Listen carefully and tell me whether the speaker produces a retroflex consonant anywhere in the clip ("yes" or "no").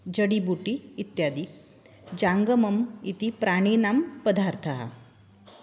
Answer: yes